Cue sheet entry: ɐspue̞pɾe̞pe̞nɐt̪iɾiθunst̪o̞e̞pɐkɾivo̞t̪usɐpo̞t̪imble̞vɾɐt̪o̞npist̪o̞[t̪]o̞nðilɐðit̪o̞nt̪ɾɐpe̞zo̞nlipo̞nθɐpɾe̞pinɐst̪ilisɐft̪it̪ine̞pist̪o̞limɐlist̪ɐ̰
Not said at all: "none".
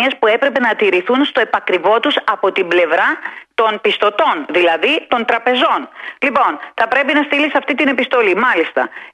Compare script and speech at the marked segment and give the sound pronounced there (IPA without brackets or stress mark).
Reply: t̪